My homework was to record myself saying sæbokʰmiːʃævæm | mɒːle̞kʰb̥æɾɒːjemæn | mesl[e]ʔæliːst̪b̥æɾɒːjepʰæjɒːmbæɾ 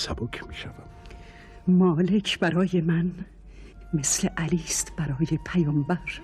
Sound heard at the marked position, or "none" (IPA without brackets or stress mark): e